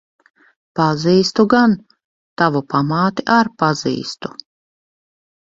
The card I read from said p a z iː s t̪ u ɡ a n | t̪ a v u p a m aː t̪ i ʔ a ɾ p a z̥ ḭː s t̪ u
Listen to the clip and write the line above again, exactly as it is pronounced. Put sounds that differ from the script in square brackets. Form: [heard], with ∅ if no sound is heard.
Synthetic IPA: p a z iː s t̪ u ɡ a n | t̪ a v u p a m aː t̪ i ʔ a ɾ p a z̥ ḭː s t̪ u